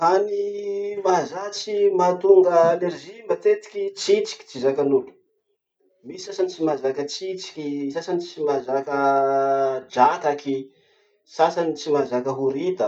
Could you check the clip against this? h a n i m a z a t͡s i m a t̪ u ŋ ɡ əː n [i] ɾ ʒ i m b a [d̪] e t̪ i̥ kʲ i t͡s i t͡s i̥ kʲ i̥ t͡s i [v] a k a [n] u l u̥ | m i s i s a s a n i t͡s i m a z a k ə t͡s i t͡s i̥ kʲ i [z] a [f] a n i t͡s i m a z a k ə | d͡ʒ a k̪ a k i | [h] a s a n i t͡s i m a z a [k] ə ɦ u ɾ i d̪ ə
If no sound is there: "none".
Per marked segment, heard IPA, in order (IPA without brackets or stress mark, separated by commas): e, t̪, z, n, s, s, s, k